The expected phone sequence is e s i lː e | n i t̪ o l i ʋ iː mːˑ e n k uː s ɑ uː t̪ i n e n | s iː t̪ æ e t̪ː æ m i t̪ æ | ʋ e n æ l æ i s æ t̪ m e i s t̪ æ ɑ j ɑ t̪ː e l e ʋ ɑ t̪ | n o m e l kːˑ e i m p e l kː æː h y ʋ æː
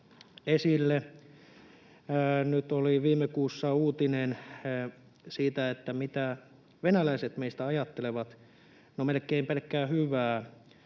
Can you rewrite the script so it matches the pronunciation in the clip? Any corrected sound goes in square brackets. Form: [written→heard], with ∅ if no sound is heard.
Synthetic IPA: e s i lː e | n [i→y] t̪ o l i ʋ iː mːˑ e [n→∅] k uː [s→sː] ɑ uː t̪ i n e n | s iː t̪ æ e t̪ː æ m i t̪ æ | ʋ e n æ l æ i s [æ→e] t̪ m e i s t̪ æ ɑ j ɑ t̪ː e l e ʋ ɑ t̪ | n o m e l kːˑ e i m p e l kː æː h y ʋ æː